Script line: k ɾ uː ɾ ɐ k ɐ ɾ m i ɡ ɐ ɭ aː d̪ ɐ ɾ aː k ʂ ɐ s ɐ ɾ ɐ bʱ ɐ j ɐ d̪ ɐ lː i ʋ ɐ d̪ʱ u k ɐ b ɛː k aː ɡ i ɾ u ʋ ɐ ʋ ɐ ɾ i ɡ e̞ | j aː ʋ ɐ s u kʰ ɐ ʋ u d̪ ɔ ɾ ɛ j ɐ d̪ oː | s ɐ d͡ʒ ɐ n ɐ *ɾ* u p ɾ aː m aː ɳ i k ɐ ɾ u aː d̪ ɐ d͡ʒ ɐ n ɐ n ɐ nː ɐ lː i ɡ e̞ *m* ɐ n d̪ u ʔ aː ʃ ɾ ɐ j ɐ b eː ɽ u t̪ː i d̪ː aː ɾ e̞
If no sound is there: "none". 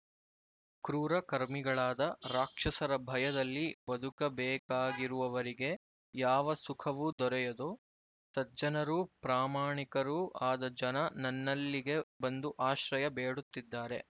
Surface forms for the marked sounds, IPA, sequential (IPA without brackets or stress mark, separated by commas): ɾ, b